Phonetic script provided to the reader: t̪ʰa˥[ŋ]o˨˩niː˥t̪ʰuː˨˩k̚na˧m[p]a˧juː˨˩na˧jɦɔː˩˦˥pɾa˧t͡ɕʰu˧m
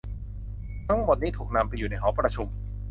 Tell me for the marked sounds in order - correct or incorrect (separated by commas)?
incorrect, correct